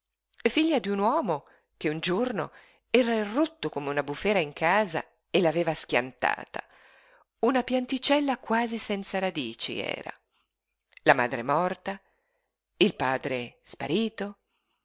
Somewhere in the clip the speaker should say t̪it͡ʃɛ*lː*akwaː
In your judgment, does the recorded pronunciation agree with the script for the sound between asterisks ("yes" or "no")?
yes